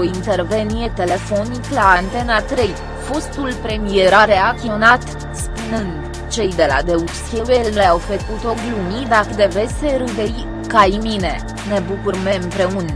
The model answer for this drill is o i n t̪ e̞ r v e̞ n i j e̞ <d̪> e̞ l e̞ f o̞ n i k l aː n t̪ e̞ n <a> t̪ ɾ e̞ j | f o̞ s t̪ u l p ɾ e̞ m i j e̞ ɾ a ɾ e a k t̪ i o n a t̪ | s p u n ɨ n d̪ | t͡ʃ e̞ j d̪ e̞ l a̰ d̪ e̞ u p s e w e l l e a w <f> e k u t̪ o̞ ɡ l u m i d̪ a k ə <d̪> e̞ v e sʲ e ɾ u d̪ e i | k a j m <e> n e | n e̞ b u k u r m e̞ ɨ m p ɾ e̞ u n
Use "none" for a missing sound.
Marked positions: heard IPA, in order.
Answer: t̪, a, f, d̪, i

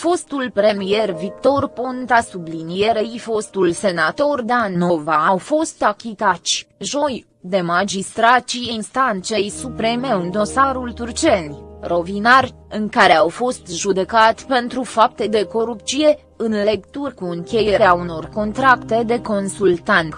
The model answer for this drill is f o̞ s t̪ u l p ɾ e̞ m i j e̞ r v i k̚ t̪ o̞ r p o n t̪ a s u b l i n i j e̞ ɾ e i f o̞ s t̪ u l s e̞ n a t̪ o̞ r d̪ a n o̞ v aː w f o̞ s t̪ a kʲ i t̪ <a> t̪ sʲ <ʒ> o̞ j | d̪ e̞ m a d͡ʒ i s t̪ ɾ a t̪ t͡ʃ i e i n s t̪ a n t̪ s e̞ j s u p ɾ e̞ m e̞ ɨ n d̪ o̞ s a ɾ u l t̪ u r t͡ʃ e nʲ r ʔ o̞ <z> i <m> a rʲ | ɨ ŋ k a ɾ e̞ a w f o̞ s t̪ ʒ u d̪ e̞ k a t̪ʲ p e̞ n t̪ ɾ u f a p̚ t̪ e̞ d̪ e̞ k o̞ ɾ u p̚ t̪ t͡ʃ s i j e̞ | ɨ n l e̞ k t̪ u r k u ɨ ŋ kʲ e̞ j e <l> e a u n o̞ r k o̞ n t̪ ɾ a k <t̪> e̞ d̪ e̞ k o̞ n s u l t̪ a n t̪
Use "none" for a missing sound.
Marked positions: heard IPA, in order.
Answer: a, ʒ, v, n, ɾ, t̪

